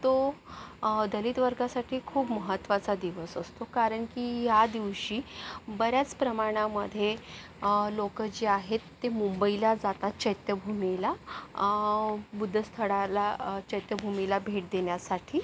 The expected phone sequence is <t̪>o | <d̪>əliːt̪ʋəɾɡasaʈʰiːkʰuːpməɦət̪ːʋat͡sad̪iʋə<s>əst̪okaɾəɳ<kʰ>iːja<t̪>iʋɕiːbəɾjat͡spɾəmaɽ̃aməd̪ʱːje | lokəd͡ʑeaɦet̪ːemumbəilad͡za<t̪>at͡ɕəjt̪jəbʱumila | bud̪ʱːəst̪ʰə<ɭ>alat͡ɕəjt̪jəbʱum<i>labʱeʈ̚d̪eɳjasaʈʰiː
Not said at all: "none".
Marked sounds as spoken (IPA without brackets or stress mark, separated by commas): t̪, d̪, s, k, d̪, t̪, ɽ, i